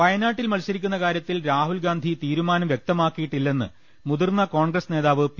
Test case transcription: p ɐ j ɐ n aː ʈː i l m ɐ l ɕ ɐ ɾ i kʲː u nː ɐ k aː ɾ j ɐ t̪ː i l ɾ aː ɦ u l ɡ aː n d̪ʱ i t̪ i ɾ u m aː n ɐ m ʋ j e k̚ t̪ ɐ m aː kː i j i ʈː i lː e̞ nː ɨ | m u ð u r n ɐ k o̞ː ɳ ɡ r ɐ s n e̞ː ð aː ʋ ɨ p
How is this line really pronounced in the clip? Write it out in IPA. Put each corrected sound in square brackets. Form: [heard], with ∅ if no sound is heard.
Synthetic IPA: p ɐ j ɐ n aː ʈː i l m ɐ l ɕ ɐ ɾ i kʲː u nː ɐ k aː ɾ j ɐ t̪ː i l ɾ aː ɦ u l ɡ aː n d̪ʱ i t̪ [iː] ɾ u m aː n ɐ m ʋ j e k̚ t̪ ɐ m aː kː i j i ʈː i lː e̞ nː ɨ | m u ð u r n ɐ k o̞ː ɳ ɡ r ɐ s n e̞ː ð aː ʋ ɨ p